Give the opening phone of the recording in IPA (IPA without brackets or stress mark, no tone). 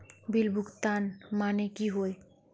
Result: b